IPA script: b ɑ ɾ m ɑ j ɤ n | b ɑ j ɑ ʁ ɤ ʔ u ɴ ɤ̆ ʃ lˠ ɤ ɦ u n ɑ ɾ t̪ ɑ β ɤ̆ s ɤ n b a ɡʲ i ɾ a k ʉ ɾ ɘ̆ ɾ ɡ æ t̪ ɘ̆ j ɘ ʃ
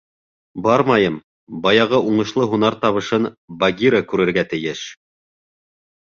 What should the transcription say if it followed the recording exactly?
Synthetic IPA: b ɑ ɾ m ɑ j ɤ m | b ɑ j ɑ ʁ ɤ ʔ u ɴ ɤ̆ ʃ lˠ ɤ ɦ u n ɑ ɾ t̪ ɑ β ɤ̆ ʃ ɤ n b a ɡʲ i ɾ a k ʉ ɾ ɘ̆ ɾ ɡ æ t̪ ɘ̆ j ɘ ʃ